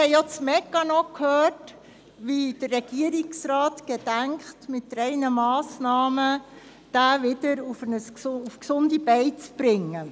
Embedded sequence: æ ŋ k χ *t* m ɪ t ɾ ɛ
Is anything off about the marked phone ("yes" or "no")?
no